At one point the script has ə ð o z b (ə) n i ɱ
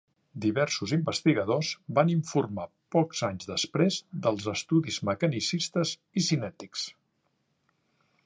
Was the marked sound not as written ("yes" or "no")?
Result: yes